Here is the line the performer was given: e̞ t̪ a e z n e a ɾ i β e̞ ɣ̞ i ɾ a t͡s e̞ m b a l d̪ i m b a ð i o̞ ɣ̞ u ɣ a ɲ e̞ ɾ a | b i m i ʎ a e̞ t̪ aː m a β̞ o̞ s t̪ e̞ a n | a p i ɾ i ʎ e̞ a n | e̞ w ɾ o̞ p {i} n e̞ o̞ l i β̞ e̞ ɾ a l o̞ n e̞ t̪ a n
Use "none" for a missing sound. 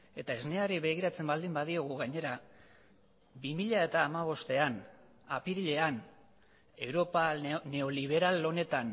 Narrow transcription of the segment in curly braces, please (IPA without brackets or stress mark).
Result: a